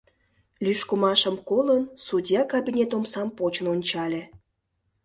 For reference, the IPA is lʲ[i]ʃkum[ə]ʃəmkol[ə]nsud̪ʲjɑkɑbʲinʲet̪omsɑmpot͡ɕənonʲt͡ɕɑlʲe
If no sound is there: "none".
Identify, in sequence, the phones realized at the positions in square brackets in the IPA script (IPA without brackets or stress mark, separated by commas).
y, ɑ, ə